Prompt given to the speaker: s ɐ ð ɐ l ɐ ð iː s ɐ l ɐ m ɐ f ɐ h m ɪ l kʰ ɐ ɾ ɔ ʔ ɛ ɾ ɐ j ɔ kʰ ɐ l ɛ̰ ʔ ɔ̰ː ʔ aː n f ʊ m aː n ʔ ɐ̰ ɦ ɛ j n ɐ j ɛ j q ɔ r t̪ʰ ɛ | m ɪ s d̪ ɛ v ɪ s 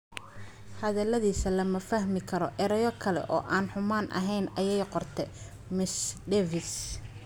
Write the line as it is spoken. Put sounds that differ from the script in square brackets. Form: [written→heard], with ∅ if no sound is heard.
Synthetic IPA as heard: [s→h] ɐ ð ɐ l ɐ ð iː s ɐ l ɐ m ɐ f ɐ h m ɪ [l→∅] kʰ ɐ ɾ ɔ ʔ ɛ ɾ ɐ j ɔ kʰ ɐ l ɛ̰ ʔ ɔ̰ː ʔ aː n [f→ħ] ʊ m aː n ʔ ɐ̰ ɦ ɛ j n ɐ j ɛ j q ɔ r t̪ʰ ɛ | m ɪ s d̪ ɛ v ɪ s